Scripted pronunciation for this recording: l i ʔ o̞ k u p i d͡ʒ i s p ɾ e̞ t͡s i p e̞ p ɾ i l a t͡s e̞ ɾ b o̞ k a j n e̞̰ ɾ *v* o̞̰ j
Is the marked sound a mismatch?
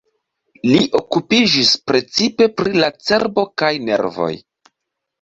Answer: no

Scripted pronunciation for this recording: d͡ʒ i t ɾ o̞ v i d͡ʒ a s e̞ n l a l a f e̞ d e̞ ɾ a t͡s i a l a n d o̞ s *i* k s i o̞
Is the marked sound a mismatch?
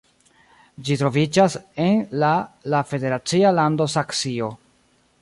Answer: yes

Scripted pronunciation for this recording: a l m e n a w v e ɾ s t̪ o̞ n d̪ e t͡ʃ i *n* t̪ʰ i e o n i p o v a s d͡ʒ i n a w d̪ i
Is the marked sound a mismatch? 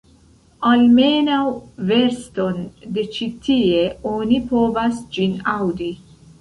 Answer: yes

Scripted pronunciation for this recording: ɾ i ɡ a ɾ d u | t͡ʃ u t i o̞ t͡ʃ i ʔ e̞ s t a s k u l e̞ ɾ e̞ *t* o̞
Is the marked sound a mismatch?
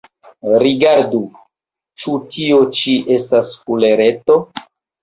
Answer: no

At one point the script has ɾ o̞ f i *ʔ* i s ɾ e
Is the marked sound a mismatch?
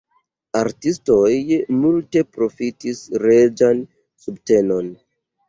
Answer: yes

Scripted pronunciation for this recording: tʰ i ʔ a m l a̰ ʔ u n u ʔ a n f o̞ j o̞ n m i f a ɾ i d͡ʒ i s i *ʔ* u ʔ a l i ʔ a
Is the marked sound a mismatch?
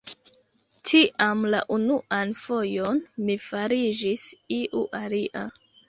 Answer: no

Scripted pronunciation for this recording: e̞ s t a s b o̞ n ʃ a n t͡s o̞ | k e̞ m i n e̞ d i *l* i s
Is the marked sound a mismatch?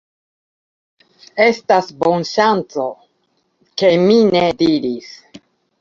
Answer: yes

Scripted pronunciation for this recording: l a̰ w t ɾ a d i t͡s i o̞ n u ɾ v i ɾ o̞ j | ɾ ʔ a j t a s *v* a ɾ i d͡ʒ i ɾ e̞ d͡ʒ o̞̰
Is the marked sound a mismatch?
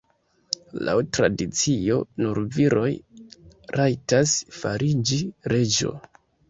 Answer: yes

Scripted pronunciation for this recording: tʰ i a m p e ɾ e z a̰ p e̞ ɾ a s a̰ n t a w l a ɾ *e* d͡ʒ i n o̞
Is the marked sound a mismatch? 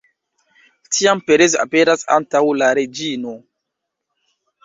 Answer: no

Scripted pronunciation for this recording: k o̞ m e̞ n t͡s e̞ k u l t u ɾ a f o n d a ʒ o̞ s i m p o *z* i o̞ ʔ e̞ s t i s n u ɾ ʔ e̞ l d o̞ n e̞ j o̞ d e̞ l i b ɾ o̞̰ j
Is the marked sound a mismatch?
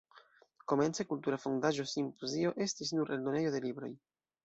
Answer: no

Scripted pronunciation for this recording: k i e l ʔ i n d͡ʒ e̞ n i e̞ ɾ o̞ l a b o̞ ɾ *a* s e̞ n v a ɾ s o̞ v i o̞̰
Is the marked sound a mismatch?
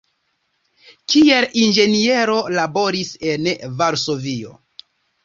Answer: yes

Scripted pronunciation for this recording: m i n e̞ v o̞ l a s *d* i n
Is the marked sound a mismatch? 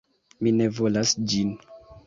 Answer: yes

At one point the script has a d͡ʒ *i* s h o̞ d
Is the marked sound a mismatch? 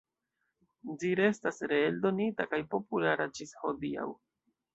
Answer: no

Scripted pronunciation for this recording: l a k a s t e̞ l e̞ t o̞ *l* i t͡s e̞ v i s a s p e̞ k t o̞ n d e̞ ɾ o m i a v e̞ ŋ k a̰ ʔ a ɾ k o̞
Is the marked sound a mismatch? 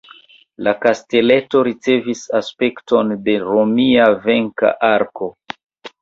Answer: yes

